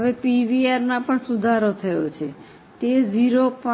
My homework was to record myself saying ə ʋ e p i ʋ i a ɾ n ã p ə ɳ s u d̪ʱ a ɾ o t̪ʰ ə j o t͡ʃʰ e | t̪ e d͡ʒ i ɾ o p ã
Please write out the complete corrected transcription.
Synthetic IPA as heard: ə ʋ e p i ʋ i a ɾ n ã p ə ɳ s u d̪ʱ a ɾ o t̪ʰ ə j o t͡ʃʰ e | t̪ e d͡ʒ i ɾ o p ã